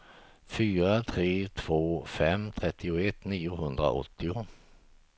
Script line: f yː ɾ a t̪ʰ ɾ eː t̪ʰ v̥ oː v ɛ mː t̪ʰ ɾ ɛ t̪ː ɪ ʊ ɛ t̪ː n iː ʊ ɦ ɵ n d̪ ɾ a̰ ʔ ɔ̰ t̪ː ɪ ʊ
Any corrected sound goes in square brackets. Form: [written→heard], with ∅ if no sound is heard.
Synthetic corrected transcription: f yː ɾ a t̪ʰ ɾ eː t̪ʰ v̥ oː [v→f] ɛ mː t̪ʰ ɾ ɛ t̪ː ɪ ʊ ɛ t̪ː n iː ʊ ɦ ɵ n d̪ ɾ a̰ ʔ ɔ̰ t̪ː ɪ ʊ